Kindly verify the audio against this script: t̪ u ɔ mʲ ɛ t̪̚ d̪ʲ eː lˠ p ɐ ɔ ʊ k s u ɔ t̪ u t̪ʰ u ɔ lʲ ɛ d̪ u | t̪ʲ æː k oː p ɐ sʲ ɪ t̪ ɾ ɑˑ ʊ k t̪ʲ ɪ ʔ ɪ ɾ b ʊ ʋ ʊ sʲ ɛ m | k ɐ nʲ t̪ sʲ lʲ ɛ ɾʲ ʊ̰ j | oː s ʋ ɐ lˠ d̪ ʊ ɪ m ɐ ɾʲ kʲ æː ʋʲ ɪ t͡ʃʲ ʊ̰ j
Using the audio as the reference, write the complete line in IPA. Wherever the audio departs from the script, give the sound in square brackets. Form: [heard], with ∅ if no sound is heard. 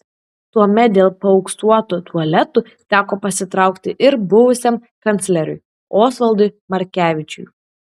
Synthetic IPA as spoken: t̪ u ɔ mʲ ɛ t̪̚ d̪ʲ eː lˠ p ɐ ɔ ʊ k s u ɔ t̪ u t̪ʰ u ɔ lʲ ɛ [t̪] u | t̪ʲ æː k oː p ɐ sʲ ɪ t̪ ɾ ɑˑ ʊ k t̪ʲ ɪ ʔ ɪ ɾ b ʊ ʋ ʊ sʲ ɛ m | k ɐ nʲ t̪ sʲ lʲ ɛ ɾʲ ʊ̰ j | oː s ʋ ɐ lˠ d̪ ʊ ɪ m ɐ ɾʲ kʲ æː ʋʲ ɪ t͡ʃʲ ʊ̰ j